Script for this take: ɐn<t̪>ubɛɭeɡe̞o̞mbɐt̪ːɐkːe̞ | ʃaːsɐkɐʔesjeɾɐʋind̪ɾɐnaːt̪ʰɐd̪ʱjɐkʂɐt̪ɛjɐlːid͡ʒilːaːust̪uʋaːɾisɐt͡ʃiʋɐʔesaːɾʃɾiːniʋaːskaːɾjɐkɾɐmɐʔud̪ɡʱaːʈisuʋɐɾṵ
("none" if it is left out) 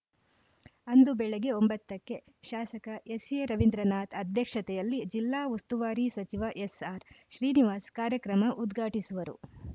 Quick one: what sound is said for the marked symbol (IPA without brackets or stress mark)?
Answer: d̪